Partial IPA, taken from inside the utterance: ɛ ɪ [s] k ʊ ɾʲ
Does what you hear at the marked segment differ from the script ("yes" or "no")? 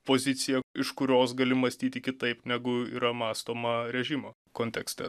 yes